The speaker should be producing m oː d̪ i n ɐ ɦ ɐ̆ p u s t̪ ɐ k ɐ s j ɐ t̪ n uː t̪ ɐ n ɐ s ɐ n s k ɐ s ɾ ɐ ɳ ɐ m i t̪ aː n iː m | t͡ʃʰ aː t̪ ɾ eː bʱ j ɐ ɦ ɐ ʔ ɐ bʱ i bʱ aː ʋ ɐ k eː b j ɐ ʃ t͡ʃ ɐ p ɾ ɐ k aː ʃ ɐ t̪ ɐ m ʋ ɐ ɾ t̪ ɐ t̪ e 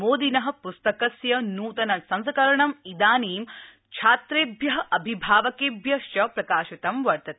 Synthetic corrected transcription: m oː d̪ i n ɐ ɦ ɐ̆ p u s t̪ ɐ k ɐ s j ɐ n uː t̪ ɐ n ɐ s ɐ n s k ɐ ɾ ɐ ɳ ɐ m i d̪ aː n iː m | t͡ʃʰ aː t̪ ɾ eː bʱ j ɐ ɦ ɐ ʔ ɐ bʱ i bʱ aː ʋ ɐ k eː b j ɐ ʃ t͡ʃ ɐ p ɾ ɐ k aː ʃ ɐ t̪ ɐ m ʋ ɐ ɾ t̪ ɐ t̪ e